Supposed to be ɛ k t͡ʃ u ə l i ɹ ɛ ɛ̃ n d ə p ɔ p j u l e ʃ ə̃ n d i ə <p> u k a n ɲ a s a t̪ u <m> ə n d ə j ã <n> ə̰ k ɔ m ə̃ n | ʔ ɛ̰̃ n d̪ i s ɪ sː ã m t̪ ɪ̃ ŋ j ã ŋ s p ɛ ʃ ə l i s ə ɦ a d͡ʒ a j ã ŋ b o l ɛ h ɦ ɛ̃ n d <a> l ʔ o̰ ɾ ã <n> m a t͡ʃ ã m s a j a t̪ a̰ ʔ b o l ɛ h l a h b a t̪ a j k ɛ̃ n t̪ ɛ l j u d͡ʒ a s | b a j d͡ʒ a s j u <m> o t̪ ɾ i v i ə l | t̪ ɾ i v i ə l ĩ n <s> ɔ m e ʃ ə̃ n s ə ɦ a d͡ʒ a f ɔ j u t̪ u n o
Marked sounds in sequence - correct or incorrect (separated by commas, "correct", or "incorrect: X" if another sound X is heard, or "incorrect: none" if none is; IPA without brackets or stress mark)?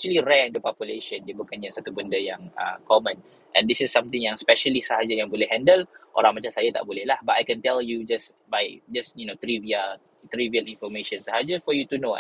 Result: incorrect: b, incorrect: b, incorrect: ŋ, incorrect: ə, incorrect: ŋ, incorrect: n, incorrect: f